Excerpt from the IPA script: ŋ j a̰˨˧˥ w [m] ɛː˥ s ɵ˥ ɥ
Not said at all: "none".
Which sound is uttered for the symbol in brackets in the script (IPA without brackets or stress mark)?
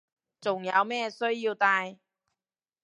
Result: m